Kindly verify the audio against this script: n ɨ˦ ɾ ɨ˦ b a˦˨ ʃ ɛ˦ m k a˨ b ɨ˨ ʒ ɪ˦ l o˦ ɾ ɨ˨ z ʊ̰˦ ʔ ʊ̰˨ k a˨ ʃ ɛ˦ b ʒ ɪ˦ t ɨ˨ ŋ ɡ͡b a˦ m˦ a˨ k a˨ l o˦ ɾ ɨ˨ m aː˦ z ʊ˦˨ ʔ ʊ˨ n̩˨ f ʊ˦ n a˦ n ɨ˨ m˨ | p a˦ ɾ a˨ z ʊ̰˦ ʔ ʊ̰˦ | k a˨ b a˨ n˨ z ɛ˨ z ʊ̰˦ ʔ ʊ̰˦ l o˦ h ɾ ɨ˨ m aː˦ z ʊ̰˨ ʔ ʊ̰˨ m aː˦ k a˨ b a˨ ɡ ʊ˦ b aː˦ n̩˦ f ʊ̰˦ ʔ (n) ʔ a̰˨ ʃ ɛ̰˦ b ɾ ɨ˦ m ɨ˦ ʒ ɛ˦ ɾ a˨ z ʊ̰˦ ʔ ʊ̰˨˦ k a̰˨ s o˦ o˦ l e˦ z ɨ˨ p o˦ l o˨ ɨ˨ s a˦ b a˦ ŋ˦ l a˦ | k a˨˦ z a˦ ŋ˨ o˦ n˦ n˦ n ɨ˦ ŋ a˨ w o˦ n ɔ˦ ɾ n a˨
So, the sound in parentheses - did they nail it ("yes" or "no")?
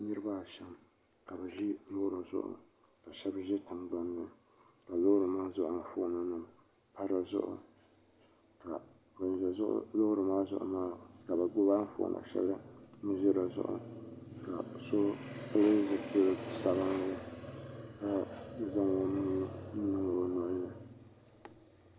yes